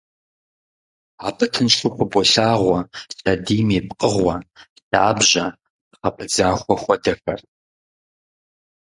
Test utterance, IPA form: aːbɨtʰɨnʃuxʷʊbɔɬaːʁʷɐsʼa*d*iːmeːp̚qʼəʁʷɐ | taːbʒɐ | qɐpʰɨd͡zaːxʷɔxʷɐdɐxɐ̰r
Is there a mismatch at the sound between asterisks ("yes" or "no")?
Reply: no